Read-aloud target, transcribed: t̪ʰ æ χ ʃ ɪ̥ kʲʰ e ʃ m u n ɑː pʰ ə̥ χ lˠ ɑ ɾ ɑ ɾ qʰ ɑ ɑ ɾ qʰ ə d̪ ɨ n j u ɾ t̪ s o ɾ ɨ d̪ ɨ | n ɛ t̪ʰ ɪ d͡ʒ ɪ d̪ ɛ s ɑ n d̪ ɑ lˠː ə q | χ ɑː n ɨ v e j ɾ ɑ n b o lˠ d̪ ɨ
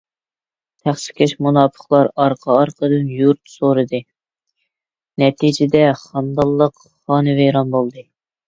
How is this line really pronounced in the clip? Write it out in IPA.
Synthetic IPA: t̪ʰ æ χ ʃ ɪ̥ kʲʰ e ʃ m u n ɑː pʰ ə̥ χ lˠ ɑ ɾ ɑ ɾ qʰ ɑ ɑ ɾ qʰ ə d̪ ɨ n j u ɾ t̪ s o ɾ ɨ d̪ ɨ | n ɛ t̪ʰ i d͡ʒ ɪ d̪ ɛ χ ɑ n d̪ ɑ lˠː ə q | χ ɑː n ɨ v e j ɾ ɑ n b o lˠ d̪ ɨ